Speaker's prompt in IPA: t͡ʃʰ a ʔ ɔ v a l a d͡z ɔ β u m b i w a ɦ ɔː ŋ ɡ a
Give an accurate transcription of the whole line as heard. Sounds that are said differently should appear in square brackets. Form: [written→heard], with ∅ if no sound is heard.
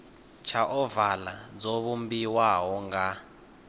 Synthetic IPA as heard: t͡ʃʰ a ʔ ɔ v a l a d͡z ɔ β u m b i w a ɦ [ɔː→ɔ] ŋ ɡ a